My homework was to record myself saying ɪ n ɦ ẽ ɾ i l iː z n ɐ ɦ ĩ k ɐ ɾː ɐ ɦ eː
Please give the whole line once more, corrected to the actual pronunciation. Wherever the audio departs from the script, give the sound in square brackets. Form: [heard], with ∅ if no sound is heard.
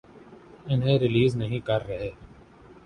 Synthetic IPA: ɪ n ɦ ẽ ɾ [ɪ] l iː z n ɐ ɦ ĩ k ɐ ɾː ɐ ɦ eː